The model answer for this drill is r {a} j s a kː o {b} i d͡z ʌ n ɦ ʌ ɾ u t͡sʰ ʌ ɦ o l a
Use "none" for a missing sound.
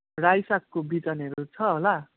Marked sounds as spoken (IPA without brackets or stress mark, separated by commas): a, b